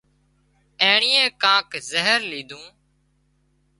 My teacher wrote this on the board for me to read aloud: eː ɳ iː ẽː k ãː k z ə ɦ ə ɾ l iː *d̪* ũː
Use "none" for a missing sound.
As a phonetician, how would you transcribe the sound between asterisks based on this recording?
d̪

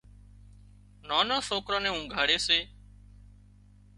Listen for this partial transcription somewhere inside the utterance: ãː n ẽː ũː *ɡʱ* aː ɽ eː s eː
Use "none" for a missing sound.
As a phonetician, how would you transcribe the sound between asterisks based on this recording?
ɡʱ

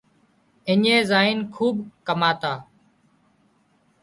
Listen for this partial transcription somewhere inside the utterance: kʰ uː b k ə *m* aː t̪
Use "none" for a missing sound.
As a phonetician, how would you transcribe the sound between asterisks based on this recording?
m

